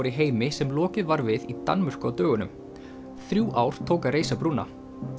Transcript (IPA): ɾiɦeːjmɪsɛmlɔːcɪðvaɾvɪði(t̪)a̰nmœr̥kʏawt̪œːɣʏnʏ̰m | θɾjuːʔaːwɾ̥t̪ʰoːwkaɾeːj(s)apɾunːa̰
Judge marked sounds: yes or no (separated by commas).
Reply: yes, yes